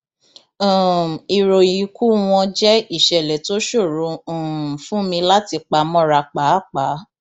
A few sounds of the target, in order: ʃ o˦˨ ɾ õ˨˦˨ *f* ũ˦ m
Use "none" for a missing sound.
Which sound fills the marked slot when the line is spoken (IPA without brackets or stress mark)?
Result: f